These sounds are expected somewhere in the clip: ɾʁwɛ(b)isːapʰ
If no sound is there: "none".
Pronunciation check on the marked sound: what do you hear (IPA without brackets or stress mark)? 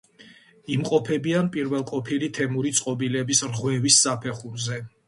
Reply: v